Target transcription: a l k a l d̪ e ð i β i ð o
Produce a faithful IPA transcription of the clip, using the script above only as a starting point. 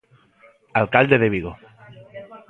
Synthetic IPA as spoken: a l k a l d̪ e ð e β i ɣ o